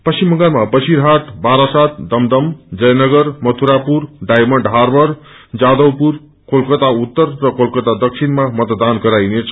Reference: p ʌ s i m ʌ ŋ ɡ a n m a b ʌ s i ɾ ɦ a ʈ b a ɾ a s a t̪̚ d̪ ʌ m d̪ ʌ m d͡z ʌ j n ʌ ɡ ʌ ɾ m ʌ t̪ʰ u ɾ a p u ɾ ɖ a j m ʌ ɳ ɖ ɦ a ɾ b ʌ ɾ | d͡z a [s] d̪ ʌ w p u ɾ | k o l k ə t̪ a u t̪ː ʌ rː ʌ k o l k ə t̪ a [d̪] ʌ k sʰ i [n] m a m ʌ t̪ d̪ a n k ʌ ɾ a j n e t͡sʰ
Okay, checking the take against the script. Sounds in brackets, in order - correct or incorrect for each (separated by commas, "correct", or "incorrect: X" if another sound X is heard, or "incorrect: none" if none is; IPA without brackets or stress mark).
incorrect: none, correct, correct